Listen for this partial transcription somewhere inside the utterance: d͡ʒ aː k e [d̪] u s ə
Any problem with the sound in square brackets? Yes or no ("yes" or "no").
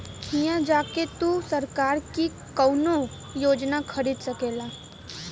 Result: yes